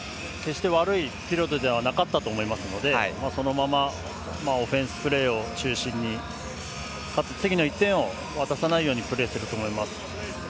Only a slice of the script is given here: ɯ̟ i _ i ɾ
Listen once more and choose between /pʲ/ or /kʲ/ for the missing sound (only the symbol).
pʲ